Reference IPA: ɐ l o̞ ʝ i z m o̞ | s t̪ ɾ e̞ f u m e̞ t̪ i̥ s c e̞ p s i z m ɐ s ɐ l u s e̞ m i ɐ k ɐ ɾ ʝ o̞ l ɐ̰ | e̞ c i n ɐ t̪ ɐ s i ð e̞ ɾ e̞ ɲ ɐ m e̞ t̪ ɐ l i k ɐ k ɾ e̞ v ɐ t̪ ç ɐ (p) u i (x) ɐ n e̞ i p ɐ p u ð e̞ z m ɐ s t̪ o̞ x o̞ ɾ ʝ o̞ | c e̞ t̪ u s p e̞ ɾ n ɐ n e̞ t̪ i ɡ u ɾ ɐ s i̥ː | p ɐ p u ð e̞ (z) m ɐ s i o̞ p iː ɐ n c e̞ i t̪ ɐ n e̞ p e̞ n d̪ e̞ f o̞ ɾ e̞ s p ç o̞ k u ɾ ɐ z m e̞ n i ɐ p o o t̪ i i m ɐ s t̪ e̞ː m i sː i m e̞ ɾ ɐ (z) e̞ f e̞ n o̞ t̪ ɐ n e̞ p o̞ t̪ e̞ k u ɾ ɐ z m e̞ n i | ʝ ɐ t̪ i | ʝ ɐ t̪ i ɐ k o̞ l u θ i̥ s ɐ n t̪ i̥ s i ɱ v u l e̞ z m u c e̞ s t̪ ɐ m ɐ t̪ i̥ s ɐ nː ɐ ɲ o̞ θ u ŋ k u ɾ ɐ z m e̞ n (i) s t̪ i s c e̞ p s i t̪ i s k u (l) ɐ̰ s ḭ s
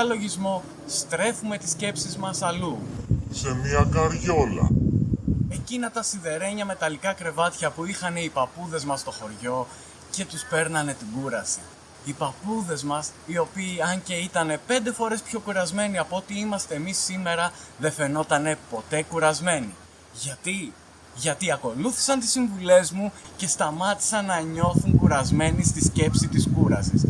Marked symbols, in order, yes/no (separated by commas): yes, yes, yes, no, yes, no